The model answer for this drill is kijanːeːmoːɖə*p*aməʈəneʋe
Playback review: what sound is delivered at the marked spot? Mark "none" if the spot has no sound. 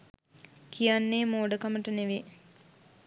k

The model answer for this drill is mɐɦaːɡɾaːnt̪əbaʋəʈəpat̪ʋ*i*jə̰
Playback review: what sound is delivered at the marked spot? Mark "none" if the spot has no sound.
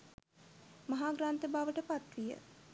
i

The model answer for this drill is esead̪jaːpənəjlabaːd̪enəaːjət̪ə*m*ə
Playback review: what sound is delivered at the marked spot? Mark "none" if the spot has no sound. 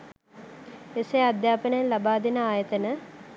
n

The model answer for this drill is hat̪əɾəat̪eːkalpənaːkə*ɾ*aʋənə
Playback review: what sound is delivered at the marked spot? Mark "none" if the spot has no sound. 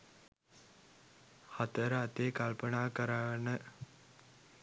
ɾ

